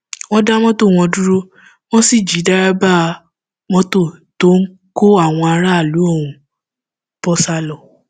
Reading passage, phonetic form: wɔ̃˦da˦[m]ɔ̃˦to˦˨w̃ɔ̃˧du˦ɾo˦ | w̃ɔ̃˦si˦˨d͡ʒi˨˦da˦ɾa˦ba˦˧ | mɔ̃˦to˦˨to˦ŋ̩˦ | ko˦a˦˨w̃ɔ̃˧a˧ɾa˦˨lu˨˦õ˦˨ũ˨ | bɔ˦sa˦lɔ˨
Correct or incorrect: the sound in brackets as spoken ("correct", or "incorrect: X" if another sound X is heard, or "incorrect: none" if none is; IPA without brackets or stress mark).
correct